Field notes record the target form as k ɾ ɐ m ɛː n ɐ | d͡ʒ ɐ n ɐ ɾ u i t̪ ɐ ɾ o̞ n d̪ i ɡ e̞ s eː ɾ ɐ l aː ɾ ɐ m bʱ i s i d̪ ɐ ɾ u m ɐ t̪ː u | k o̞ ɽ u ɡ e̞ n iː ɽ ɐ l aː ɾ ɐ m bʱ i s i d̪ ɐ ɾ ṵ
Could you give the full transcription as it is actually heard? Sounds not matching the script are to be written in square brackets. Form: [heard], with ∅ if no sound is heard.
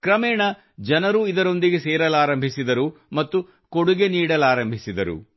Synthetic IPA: k ɾ ɐ m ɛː [ɳ] ɐ | d͡ʒ ɐ n ɐ ɾ u i [d̪] ɐ ɾ o̞ n d̪ i ɡ e̞ s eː ɾ ɐ l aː ɾ ɐ m bʱ i s i d̪ ɐ ɾ u m ɐ t̪ː u | k o̞ ɽ u ɡ e̞ n iː ɽ ɐ l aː ɾ ɐ m bʱ i s i d̪ ɐ ɾ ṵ